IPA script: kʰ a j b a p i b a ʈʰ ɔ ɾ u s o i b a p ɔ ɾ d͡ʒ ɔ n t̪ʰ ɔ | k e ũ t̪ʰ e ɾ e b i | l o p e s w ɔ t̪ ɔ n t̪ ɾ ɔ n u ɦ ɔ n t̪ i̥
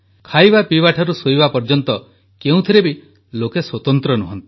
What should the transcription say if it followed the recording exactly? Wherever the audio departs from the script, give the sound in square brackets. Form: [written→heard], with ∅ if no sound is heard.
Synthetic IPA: kʰ a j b a p i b a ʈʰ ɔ ɾ u s o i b a p ɔ ɾ d͡ʒ ɔ n [t̪ʰ→t̪] ɔ | k e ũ t̪ʰ [e→i] ɾ e b i | l o [p→k] e s w ɔ t̪ ɔ n t̪ ɾ ɔ n u ɦ ɔ n t̪ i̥